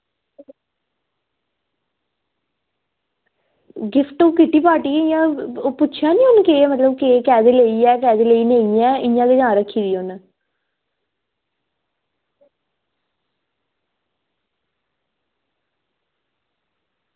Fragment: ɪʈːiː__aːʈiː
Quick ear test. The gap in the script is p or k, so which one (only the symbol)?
p